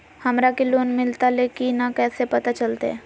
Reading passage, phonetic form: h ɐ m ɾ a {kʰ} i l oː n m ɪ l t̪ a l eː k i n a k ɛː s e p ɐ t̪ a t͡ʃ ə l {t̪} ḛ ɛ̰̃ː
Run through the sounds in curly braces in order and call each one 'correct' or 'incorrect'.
incorrect: k, correct

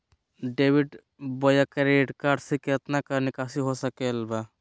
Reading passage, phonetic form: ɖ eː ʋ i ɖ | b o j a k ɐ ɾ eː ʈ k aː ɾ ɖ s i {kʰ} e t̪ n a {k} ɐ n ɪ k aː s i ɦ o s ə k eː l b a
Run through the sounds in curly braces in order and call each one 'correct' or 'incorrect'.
incorrect: k, correct

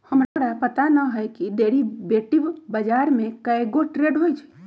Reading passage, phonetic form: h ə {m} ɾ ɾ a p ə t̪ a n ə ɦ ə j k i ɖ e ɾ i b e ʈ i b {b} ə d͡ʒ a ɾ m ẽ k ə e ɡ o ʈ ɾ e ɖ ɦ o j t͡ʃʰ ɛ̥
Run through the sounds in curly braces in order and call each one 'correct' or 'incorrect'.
correct, correct

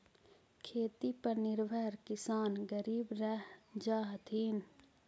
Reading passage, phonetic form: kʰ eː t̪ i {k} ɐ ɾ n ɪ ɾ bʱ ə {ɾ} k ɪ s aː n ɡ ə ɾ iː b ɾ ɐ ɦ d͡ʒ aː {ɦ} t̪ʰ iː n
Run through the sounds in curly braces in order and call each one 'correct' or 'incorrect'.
incorrect: p, correct, correct

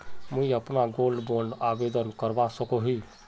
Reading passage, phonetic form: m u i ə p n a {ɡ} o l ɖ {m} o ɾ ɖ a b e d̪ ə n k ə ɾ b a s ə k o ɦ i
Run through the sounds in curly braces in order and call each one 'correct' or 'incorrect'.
correct, incorrect: b

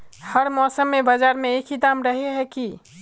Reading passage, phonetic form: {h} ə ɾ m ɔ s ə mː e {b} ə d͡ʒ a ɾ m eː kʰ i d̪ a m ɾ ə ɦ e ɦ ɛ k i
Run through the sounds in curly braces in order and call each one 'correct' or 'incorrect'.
correct, correct

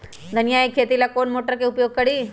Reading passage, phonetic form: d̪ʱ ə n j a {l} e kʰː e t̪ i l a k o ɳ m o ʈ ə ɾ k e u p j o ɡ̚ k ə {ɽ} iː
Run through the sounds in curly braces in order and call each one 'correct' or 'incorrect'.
incorrect: none, correct

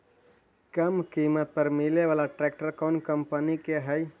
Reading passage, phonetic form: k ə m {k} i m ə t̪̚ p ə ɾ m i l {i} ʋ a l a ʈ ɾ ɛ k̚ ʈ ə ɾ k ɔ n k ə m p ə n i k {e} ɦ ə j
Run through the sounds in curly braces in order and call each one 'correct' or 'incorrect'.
correct, incorrect: e, correct

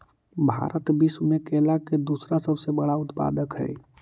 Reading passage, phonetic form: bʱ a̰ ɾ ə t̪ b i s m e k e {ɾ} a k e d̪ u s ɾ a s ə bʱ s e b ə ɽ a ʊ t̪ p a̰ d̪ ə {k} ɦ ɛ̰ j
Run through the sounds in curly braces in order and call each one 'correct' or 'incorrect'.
incorrect: l, correct

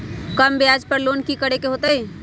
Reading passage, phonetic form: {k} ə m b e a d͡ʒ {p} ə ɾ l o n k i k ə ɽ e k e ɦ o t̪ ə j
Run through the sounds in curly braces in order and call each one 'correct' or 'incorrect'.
correct, correct

